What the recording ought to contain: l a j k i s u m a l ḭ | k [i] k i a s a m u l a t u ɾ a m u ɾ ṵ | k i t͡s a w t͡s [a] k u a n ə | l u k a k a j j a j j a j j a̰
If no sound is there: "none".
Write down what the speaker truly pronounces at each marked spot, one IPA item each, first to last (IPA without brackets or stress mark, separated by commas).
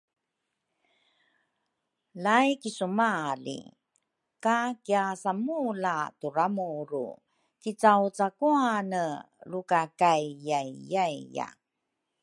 a, a